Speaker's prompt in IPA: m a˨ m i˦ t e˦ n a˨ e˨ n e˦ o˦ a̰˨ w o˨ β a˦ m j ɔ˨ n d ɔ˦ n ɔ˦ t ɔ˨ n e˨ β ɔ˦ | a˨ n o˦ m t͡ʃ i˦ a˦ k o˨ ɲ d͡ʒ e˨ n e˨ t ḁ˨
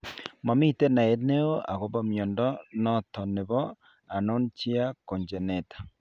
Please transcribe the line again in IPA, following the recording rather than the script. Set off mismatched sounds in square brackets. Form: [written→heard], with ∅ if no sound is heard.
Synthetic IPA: m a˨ m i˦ t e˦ n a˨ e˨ n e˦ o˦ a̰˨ [w→ɣ] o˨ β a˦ m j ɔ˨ n d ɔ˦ n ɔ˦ t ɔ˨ n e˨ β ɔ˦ | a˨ n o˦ [m→n] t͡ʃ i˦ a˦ k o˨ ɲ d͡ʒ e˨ n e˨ t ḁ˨